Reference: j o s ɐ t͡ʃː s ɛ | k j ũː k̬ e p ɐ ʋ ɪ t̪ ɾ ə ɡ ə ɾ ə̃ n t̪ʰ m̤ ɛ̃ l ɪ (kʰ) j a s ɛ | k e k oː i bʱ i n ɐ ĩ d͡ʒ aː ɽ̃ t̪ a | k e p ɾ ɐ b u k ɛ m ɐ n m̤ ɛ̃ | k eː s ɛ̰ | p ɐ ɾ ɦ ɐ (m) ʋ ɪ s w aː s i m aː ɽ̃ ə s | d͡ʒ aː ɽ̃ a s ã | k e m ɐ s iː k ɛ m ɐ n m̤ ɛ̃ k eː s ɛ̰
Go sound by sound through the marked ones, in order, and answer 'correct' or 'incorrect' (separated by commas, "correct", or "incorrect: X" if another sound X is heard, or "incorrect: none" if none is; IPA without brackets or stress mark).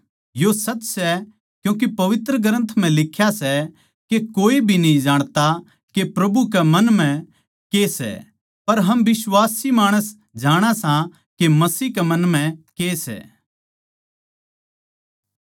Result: correct, correct